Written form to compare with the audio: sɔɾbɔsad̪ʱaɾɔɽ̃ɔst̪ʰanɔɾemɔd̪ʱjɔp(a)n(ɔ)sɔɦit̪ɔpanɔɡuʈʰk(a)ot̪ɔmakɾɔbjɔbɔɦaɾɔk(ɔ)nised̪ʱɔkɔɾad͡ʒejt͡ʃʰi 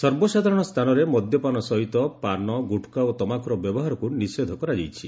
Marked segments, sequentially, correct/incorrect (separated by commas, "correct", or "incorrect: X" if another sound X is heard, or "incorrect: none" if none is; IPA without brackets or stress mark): correct, correct, correct, incorrect: u